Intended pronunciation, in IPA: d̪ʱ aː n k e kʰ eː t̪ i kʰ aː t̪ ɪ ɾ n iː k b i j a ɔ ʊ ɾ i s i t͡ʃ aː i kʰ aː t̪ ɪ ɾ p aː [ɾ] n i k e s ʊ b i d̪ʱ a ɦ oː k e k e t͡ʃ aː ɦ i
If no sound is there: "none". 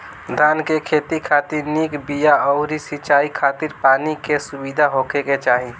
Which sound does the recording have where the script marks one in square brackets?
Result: none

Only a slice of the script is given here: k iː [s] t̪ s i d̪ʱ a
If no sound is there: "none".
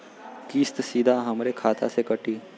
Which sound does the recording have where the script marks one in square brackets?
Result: s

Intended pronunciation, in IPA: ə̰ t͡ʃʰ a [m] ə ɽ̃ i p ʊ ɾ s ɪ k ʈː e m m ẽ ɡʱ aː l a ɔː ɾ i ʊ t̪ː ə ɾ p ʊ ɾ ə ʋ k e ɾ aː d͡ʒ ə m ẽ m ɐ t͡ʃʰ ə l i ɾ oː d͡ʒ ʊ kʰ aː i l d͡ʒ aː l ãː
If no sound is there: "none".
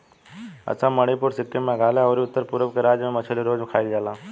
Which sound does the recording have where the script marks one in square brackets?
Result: m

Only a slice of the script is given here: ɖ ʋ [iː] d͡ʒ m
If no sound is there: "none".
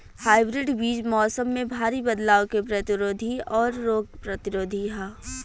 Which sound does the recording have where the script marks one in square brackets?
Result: iː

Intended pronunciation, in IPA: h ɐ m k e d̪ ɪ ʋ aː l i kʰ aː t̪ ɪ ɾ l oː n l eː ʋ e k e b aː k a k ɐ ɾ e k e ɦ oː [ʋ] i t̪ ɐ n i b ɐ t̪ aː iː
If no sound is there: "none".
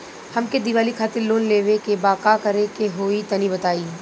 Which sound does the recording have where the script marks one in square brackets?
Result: none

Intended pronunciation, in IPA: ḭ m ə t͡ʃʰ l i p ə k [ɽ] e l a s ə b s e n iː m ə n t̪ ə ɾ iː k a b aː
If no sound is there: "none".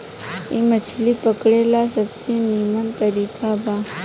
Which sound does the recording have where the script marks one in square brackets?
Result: ɽ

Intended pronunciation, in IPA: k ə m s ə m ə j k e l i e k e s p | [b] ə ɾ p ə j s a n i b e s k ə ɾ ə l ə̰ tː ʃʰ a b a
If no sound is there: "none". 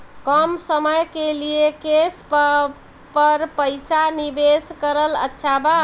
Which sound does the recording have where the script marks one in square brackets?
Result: p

